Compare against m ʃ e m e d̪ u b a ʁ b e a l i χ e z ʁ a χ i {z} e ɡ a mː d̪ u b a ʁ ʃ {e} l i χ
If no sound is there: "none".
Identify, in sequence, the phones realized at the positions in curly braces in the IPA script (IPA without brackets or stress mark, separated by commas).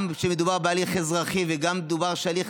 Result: v, a